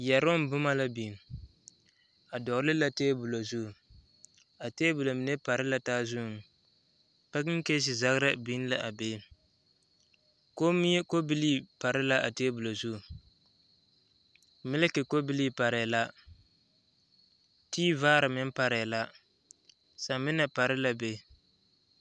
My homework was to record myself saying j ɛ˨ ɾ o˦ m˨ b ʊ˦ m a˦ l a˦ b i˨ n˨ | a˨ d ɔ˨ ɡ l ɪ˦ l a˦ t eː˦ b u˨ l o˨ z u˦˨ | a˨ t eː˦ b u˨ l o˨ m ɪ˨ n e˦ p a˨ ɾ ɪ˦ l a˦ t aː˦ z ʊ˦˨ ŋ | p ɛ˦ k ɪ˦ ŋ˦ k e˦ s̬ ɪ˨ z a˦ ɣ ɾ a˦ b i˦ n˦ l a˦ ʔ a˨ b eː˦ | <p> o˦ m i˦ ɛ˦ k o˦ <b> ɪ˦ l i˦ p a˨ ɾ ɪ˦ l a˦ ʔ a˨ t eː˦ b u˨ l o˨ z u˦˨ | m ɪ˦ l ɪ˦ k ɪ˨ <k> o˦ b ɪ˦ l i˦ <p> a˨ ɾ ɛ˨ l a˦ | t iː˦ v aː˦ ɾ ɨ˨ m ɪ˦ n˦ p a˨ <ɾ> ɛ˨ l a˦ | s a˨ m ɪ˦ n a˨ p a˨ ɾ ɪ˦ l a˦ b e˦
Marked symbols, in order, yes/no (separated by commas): no, yes, yes, yes, yes